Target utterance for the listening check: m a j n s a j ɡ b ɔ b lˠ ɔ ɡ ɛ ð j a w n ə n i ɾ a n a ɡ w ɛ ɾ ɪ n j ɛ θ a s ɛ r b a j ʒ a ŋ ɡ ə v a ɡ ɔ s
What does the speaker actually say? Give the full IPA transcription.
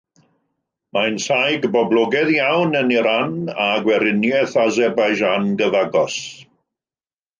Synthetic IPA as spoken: m a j n s a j ɡ b ɔ b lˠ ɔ ɡ ɛ ð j a w n ə n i ɾ a n a ɡ w ɛ ɾ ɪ n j ɛ θ a z ɛ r b a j ʒ a n ɡ ə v a ɡ ɔ s